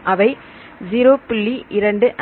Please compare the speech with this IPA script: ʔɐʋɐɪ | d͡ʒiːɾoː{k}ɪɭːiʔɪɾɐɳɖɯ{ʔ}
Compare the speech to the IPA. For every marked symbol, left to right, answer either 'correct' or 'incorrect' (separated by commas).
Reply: incorrect, correct